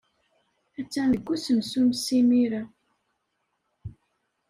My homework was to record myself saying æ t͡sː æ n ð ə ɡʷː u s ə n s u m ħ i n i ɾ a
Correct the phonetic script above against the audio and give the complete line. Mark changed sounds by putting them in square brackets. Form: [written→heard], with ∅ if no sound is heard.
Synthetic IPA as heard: æ t͡sː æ n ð ə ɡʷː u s ə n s u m [ħ→s] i [n→m] i ɾ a